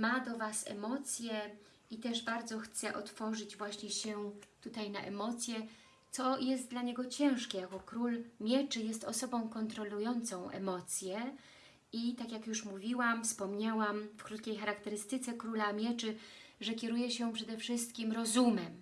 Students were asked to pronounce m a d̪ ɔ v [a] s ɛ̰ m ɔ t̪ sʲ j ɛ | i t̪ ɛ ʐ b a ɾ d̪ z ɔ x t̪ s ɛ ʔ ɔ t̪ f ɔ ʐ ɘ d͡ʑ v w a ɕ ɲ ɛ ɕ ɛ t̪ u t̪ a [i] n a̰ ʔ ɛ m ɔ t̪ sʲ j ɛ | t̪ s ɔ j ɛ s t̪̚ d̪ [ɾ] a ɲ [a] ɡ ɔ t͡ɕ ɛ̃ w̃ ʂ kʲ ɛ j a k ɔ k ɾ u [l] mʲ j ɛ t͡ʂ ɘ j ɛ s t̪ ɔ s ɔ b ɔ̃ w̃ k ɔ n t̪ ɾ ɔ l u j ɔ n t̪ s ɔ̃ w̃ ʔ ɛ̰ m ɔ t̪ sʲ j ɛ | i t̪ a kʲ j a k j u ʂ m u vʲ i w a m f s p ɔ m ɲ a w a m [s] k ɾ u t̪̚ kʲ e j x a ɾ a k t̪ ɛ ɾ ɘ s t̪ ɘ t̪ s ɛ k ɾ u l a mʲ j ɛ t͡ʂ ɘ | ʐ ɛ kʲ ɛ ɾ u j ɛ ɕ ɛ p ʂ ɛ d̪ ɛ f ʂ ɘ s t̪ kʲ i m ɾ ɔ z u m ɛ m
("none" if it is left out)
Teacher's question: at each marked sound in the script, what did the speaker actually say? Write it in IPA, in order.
a, j, l, ɛ, l, f

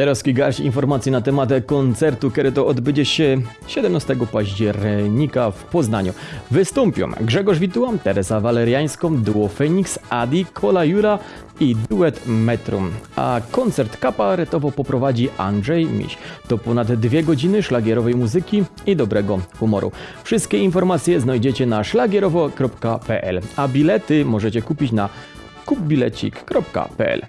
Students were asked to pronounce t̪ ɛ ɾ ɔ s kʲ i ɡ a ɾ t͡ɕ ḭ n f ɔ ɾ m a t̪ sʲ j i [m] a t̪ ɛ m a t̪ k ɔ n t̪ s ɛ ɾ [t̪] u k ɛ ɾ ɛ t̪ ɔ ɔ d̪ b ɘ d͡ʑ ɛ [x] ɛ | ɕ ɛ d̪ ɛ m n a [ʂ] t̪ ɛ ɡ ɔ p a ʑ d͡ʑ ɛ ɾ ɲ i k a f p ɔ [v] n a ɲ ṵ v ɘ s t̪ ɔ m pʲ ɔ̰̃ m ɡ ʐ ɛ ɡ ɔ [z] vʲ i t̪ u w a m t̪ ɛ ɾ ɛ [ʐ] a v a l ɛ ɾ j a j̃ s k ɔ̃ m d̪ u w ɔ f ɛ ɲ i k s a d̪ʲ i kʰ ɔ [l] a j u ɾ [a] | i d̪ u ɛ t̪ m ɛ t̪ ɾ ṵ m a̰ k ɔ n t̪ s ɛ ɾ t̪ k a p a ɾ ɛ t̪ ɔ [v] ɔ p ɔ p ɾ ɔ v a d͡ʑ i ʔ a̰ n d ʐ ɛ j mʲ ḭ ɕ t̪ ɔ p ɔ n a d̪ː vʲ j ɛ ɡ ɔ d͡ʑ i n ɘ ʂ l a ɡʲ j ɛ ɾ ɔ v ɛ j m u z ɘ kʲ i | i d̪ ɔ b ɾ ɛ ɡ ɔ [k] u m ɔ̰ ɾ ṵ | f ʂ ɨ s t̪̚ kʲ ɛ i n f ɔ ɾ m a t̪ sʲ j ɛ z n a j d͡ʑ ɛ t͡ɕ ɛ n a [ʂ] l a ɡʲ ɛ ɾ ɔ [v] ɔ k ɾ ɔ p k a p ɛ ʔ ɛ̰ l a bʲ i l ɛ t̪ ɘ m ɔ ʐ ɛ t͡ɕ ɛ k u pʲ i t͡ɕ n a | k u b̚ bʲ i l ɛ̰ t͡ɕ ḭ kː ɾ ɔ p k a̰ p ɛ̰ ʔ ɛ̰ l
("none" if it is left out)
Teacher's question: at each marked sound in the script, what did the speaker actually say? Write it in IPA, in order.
n, t̪, ɕ, s, z, ʐ, z, l, a, v, x, ʂ, v

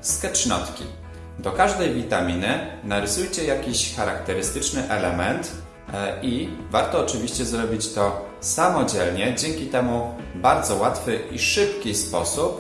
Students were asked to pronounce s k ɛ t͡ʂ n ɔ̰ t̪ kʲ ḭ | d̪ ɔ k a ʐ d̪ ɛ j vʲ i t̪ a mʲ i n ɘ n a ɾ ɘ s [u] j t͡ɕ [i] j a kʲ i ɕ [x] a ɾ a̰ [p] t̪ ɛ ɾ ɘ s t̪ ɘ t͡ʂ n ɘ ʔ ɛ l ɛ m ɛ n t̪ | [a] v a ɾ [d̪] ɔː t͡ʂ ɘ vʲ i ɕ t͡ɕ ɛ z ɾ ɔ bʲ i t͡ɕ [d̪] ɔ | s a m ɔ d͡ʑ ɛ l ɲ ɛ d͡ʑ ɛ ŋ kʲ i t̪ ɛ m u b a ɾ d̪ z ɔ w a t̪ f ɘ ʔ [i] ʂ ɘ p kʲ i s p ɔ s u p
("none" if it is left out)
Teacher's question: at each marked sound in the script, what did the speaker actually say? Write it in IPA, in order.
u, ɛ, x, k, i, t̪, t̪, i

